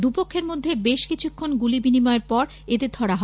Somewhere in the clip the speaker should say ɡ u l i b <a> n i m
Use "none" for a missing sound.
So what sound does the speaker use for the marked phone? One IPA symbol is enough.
i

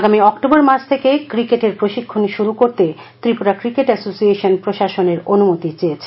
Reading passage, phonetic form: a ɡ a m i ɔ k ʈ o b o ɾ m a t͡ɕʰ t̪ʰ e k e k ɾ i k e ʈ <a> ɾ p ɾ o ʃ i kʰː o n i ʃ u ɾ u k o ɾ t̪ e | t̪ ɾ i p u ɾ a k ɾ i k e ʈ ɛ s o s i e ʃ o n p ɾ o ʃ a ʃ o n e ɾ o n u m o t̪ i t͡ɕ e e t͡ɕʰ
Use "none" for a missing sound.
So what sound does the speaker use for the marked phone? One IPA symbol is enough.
e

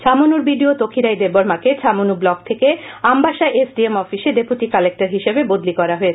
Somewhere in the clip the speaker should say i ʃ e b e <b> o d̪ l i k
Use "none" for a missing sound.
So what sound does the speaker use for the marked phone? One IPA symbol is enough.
b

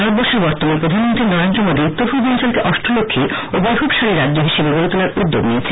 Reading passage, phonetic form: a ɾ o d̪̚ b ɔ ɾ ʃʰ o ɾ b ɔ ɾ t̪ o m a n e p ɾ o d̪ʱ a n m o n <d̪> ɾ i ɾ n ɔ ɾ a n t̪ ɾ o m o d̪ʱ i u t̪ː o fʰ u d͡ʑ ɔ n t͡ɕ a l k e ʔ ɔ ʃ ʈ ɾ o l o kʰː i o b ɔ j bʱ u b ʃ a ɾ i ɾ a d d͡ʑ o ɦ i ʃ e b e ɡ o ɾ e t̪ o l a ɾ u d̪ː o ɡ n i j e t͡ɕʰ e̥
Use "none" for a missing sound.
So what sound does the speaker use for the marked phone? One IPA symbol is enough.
t̪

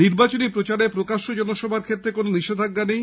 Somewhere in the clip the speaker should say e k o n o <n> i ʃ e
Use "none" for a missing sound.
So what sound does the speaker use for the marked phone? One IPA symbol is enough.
n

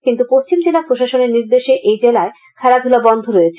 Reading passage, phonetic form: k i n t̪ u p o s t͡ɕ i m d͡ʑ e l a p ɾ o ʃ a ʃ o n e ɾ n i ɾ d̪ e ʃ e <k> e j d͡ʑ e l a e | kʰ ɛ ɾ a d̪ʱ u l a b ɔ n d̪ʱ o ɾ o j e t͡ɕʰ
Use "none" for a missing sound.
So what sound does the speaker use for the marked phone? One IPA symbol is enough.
ʔ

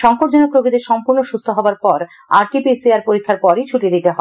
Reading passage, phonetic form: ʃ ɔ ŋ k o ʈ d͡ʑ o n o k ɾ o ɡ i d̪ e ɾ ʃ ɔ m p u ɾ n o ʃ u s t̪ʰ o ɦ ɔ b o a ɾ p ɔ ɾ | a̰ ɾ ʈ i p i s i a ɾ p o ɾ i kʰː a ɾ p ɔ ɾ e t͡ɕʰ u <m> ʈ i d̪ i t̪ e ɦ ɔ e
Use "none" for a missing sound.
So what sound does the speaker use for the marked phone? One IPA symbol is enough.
none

